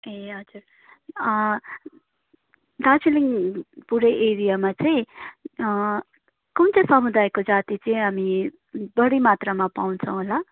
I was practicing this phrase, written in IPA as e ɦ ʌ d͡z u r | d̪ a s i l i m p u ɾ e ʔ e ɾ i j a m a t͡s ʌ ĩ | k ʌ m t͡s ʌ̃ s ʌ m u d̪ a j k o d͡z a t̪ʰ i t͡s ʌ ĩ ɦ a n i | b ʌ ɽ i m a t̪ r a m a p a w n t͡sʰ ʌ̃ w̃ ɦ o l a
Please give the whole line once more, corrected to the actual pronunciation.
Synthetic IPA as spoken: e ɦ ʌ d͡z u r | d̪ a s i l i ŋ p u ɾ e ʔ e ɾ i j a m a t͡s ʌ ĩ | k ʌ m t͡s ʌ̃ s ʌ m u d̪ a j k o d͡z a t̪ i t͡s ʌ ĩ ɦ a m i | b ʌ ɽ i m a t̪ r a m a p a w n t͡sʰ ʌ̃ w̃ ɦ o l a

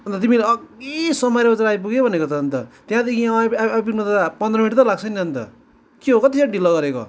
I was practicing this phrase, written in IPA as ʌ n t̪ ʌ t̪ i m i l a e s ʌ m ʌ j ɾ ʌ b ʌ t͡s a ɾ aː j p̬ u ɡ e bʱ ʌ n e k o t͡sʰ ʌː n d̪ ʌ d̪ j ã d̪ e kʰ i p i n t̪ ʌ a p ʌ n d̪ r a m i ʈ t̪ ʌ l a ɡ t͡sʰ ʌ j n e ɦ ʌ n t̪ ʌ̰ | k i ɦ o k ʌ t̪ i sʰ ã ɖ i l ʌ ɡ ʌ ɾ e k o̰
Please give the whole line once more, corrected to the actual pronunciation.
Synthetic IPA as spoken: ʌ n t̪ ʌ t̪ i m i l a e s ʌ m ʌ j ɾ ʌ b ʌ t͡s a ɾ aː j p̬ u ɡ e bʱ ʌ n e k o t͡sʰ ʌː n t̪ ʌ t̪ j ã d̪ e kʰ i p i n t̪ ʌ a p ʌ n d̪ r ʌ m i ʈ t̪ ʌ l a ɡ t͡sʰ ʌ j n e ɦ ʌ n t̪ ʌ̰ | k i ɦ o k ʌ t̪ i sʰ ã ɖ i l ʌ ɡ ʌ ɾ e k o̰

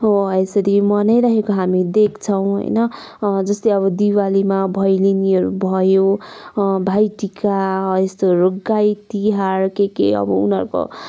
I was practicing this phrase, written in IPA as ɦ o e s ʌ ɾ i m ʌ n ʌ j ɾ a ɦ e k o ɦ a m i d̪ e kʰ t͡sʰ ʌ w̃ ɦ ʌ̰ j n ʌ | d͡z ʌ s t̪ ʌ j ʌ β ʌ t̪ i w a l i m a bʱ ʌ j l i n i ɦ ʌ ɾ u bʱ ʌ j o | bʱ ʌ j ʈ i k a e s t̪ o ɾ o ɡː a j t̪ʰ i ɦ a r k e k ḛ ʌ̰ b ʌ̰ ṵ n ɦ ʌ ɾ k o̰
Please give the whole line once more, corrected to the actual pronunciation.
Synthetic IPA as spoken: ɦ o e s ʌ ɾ i m ʌ n ʌ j ɾ a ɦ e k o ɦ a m i d̪ e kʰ t͡sʰ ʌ w̃ ɦ ʌ̰ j n ʌ | d͡z ʌ s t̪ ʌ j ʌ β ʌ d̪ i w a l i m a bʱ ʌ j l i n i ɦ ʌ ɾ u bʱ ʌ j o | bʱ a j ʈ i k a e s t̪ o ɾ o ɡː a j t̪ i ɦ a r k e k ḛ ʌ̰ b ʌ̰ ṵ n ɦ ʌ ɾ k o̰

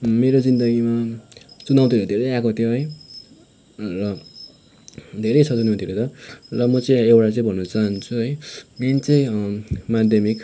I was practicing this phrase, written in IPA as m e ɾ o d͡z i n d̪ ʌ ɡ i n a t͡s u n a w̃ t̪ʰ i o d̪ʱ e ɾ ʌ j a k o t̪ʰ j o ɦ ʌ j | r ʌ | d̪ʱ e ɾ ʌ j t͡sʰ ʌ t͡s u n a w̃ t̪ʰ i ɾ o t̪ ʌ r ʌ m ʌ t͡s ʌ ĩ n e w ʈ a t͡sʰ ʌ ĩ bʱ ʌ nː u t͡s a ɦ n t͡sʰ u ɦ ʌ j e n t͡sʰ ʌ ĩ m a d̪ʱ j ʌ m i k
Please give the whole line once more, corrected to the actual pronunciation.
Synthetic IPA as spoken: m e ɾ o d͡z i n d̪ ʌ ɡ i m a t͡s u n a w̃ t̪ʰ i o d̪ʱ e ɾ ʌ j a k o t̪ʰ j o ɦ ʌ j | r ʌ | d̪ʱ e ɾ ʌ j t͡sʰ ʌ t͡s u n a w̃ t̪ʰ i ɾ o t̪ ʌ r ʌ m ʌ t͡s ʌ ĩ e w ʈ a t͡s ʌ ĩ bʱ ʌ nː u t͡s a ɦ n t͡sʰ u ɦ ʌ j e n t͡s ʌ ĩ m a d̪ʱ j ʌ m i k

